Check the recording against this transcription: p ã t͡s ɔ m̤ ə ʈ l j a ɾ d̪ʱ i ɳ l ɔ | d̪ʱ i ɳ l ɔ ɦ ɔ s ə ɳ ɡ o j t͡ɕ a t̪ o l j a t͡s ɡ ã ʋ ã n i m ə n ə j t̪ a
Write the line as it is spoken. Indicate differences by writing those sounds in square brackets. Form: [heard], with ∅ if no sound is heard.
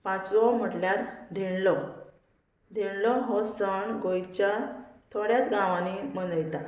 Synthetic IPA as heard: p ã t͡s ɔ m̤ ə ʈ l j a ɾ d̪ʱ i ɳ l ɔ | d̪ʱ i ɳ l ɔ ɦ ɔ s ə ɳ ɡ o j t͡ɕ a [t̪ʰ] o [ɽ] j a t͡s ɡ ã ʋ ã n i m ə n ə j t̪ a